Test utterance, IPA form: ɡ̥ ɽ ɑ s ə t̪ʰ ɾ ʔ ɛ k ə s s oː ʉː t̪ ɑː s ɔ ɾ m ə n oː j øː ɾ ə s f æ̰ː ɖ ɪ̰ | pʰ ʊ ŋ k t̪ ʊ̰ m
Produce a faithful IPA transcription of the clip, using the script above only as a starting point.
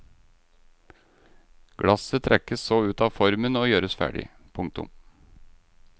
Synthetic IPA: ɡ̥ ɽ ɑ s ə t̪ʰ ɾ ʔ ɛ k ə s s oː ʉː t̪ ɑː f ɔ ɾ m ə n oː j øː ɾ ə s f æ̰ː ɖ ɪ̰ | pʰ ʊ ŋ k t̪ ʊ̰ m